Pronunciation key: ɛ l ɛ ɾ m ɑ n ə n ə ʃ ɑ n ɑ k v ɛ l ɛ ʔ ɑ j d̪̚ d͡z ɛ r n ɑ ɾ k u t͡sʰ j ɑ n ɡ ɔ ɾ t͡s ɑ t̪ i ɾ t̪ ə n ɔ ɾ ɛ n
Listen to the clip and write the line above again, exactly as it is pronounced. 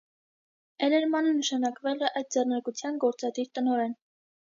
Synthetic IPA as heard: ɛ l ɛ ɾ m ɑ n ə n ə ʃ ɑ n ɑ k v ɛ l ɛ ʔ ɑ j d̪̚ d͡z ɛ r n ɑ ɾ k u t͡sʰ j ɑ n ɡ ɔ ɾ t͡s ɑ d̪ i ɾ t̪ ə n ɔ ɾ ɛ n